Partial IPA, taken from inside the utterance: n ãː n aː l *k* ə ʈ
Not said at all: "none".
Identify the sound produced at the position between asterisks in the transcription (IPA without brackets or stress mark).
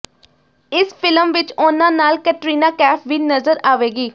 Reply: k